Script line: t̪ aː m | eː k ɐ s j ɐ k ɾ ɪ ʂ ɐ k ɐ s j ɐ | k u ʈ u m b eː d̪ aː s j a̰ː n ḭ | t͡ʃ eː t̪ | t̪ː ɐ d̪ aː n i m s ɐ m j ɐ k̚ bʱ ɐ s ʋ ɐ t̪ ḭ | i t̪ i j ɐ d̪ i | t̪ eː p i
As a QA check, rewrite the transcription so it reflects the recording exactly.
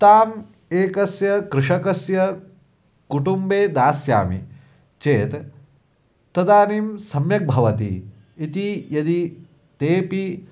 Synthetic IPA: t̪ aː m | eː k ɐ s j ɐ k ɾ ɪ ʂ ɐ k ɐ s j ɐ | k u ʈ u m b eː d̪ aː s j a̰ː m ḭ | t͡ʃ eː t̪ | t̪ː ɐ d̪ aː n i m s ɐ m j ɐ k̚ bʱ ɐ ʋ ɐ t̪ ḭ | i t̪ i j ɐ d̪ i | t̪ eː p i